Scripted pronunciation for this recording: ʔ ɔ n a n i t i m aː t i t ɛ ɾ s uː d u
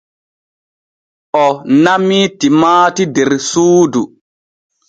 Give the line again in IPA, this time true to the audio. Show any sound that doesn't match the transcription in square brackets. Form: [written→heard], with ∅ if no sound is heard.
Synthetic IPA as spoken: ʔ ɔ n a [n→m] i t i m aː t i [t→d] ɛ ɾ s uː d u